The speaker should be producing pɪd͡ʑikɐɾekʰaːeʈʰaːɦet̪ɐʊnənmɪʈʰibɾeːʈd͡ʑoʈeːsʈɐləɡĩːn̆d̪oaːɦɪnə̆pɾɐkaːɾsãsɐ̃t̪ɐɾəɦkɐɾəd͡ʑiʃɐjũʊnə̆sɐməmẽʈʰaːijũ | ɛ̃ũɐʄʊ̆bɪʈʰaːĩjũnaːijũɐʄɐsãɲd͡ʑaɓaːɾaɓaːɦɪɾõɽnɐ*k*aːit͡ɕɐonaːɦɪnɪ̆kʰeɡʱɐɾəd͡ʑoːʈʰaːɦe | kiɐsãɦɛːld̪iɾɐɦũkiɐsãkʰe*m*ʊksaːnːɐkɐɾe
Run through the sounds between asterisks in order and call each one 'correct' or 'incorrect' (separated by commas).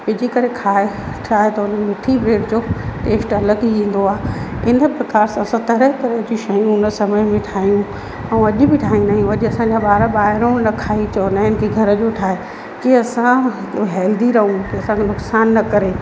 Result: incorrect, incorrect